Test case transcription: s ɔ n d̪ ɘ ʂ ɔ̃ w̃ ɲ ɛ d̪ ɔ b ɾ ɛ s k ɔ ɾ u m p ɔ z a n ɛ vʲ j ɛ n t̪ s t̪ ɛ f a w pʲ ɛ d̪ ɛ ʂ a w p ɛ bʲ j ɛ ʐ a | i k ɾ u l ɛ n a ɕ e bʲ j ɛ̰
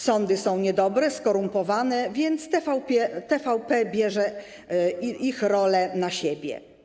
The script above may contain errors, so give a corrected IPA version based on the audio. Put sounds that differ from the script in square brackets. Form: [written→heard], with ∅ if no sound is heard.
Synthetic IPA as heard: s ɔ n d̪ ɘ [ʂ→s] ɔ̃ w̃ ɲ ɛ d̪ ɔ b ɾ ɛ s k ɔ ɾ u m p ɔ [z→v] a n ɛ vʲ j ɛ n t̪ s t̪ ɛ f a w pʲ ɛ [d̪→t̪] ɛ [ʂ→f] a w p ɛ bʲ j ɛ ʐ [a→ɛ] | i [k→x] ɾ [u→ɔ] l ɛ n a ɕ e bʲ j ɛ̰